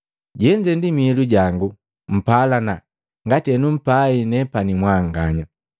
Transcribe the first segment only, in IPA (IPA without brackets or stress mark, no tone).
ɟ